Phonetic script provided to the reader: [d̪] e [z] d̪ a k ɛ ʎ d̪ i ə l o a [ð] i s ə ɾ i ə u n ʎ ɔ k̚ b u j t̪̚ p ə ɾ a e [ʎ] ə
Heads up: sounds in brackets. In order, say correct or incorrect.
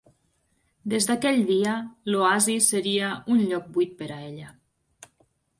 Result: correct, correct, incorrect, correct

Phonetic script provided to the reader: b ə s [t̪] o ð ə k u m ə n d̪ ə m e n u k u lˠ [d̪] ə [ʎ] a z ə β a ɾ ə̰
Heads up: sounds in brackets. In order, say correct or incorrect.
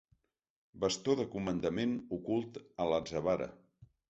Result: correct, incorrect, incorrect

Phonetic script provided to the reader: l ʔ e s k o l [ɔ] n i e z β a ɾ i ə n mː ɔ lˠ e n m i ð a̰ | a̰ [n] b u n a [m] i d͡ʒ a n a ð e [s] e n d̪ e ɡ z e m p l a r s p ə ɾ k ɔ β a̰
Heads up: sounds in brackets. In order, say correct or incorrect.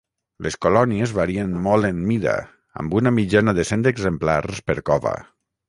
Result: correct, incorrect, correct, correct

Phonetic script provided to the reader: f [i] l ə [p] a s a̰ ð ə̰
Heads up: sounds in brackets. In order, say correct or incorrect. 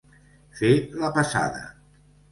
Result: incorrect, correct

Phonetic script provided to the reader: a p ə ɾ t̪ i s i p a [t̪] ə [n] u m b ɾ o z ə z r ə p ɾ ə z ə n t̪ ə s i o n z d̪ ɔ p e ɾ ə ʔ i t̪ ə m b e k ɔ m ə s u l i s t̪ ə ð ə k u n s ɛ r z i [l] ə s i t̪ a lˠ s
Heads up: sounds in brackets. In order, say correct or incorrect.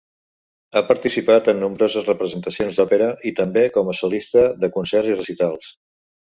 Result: correct, incorrect, incorrect

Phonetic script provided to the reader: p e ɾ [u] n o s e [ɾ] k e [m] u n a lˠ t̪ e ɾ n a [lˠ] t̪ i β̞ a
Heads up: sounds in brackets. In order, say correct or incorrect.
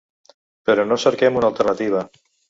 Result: incorrect, correct, correct, incorrect

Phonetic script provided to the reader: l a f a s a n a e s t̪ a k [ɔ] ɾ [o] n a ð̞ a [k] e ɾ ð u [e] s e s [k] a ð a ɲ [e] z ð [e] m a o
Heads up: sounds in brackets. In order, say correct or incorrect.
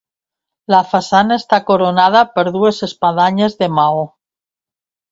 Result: incorrect, correct, incorrect, correct, incorrect, correct, correct

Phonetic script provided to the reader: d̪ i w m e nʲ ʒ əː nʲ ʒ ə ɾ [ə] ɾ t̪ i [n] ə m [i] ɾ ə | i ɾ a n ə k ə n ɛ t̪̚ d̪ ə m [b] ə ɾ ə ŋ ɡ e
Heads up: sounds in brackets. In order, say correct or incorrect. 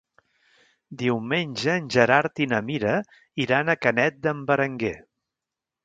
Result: incorrect, correct, correct, correct

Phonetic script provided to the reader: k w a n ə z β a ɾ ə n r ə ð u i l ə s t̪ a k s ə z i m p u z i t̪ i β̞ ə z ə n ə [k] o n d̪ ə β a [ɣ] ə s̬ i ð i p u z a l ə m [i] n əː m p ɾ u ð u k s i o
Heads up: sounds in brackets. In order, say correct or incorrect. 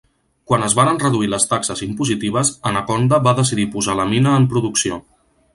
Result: correct, incorrect, correct

